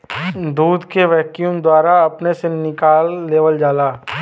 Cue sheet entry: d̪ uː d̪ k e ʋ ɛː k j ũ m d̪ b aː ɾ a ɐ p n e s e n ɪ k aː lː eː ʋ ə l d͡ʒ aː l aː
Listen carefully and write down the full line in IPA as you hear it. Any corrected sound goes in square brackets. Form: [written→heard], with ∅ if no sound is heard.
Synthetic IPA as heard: d̪ uː d̪ k e ʋ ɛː k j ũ m d̪ [b→w] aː ɾ a ɐ p n e s e n ɪ k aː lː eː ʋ ə l d͡ʒ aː l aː